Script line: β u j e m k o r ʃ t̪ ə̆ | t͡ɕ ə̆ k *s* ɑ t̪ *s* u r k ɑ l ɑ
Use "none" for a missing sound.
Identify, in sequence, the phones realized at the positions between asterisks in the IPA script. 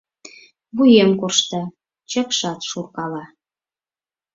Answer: ʃ, ʃ

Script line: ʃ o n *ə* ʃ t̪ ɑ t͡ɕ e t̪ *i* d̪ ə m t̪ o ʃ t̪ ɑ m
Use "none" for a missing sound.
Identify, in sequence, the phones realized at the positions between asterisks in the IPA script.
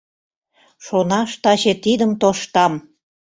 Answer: ɑ, i

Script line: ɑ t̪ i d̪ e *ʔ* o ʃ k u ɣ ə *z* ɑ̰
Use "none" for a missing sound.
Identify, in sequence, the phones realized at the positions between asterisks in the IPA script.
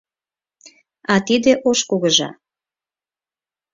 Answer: ʔ, ʒ

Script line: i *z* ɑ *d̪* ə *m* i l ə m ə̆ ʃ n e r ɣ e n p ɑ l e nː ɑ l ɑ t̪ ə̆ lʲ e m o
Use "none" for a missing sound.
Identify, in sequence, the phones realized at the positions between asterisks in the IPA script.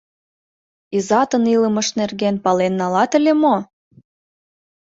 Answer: z, t̪, n

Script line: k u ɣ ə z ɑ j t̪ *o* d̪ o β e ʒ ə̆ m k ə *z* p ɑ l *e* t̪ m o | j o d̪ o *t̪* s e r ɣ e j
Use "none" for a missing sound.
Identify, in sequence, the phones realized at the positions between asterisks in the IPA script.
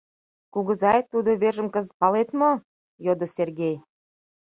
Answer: u, z, e, none

